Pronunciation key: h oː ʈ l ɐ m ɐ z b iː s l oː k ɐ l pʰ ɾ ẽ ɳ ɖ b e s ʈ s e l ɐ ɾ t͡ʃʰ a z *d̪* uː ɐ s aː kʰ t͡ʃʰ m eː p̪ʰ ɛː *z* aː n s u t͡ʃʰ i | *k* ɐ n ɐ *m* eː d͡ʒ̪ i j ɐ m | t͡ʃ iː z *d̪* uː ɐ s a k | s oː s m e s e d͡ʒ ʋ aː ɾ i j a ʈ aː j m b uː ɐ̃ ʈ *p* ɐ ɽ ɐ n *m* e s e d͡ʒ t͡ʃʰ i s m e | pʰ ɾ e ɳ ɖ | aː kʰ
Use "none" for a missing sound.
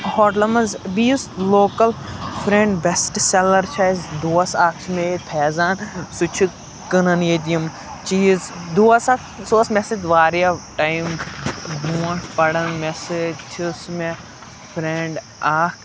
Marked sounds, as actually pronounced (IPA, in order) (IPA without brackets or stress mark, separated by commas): d̪, z, k, n, d̪, p, m